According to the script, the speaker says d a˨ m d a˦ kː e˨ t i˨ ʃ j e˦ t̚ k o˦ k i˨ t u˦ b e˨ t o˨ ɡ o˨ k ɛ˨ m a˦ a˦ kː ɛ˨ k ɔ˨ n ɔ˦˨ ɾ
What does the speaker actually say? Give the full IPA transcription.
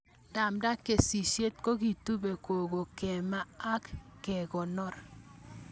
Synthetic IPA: d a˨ m d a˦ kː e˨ s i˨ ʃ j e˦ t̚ k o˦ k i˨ t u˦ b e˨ k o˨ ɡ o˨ k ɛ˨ m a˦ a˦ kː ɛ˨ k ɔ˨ n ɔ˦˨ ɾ